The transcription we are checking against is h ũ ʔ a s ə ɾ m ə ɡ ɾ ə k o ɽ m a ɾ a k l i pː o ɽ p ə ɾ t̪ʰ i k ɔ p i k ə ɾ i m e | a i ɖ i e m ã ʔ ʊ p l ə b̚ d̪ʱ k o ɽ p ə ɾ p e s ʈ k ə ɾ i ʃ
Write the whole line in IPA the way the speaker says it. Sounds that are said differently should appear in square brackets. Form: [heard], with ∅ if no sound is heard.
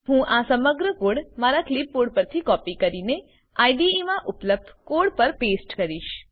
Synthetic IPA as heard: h ũ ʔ a s ə [∅] m ə ɡ ɾ ə k o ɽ m a ɾ a k l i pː o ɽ p ə ɾ t̪ʰ i k ɔ p i k ə ɾ i [n] e | a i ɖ i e m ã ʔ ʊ p l ə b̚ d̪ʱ k o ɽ p ə ɾ p e s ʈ k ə ɾ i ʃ